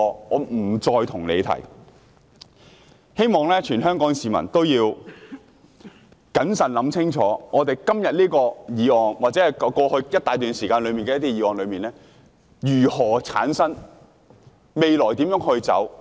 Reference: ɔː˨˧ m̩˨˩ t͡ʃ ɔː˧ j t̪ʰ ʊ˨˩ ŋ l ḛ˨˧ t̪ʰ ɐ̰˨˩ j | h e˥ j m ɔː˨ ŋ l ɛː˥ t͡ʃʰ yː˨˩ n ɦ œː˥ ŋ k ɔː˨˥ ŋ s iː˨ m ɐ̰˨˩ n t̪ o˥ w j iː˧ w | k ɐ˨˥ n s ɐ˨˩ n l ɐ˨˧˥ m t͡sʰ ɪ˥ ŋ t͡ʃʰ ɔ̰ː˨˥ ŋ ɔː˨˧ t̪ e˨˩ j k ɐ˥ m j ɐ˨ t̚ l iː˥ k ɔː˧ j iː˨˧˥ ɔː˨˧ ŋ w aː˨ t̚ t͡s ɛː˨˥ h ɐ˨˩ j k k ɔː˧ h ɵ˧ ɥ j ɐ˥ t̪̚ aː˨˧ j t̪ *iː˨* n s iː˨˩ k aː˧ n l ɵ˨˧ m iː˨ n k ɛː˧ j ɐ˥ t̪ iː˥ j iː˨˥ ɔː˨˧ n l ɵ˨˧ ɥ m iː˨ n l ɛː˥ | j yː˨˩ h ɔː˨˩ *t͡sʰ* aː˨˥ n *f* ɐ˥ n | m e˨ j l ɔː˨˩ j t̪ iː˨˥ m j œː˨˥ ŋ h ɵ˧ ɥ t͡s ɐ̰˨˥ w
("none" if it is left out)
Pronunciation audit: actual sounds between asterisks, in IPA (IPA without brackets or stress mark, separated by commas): yː˨, t͡sʰ, s